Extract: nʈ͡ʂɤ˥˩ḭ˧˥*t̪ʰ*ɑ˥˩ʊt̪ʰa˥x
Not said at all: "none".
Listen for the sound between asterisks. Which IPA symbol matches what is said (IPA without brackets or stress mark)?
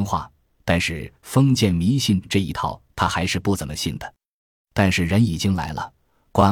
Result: t̪ʰ